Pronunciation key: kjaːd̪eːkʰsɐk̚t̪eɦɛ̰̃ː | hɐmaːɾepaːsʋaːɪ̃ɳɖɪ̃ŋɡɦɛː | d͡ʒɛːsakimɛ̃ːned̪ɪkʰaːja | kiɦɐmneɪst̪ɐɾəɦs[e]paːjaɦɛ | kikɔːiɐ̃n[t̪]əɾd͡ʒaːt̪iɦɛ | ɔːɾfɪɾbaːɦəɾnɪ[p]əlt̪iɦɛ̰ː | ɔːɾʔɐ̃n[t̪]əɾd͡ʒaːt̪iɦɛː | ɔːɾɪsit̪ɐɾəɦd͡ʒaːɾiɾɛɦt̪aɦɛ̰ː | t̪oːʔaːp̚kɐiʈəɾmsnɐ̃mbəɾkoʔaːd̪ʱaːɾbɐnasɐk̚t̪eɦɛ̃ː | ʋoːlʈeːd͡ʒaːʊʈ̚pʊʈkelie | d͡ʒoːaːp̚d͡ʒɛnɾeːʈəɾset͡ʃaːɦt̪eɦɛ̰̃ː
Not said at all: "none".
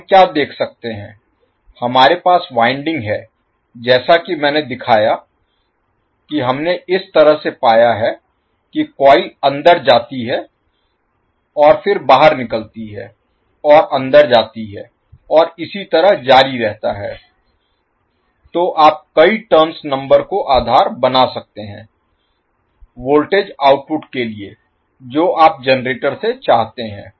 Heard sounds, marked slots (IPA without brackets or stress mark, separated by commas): e, d̪, k, d̪